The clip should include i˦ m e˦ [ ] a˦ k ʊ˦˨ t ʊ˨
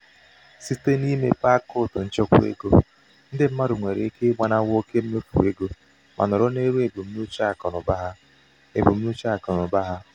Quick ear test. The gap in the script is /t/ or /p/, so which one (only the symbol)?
p